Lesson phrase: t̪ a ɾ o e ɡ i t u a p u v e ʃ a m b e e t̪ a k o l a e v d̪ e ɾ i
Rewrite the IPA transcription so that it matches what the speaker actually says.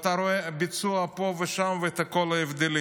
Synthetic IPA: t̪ a ɾ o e b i t͡s u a p o v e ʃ a m v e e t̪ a k o l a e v d̪ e l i